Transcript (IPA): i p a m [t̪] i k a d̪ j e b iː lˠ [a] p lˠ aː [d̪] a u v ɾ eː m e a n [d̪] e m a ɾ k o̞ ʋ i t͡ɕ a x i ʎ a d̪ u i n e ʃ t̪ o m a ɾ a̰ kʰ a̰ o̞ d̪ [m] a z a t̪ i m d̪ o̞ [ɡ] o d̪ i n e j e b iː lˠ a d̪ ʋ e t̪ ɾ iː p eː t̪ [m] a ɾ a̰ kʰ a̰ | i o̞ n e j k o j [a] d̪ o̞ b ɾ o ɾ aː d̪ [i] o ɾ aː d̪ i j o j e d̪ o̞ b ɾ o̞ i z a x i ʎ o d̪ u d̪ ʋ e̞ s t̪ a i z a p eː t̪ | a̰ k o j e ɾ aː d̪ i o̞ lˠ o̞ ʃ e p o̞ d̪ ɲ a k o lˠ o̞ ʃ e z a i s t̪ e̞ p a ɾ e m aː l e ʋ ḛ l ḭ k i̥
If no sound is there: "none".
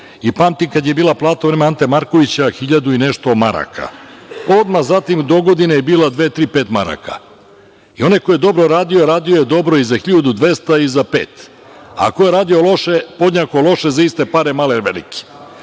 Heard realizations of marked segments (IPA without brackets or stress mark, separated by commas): t̪, a, t̪, t̪, m, ɡ, m, e, i